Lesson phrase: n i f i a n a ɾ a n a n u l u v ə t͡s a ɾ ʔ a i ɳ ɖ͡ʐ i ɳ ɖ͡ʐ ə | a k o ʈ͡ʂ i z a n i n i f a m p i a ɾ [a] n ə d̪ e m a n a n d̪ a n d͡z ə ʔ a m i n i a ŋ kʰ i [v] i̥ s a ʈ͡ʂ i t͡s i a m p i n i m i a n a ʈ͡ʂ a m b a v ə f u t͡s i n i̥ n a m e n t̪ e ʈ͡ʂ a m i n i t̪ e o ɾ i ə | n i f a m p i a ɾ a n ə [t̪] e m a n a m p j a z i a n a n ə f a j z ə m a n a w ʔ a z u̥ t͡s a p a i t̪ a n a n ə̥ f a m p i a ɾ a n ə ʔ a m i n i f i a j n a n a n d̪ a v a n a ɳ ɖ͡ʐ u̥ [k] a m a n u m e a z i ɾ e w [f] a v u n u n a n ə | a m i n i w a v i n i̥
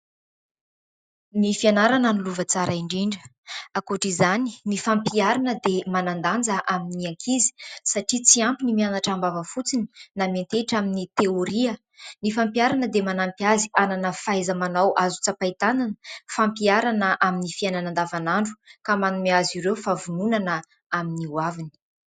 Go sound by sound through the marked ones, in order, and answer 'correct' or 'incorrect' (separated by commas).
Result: correct, incorrect, incorrect, correct, correct